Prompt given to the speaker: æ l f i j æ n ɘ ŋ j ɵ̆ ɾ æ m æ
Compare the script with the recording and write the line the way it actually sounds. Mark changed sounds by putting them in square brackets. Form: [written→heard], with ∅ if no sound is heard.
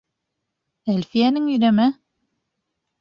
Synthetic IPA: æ l f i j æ n ɘ ŋ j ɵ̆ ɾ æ m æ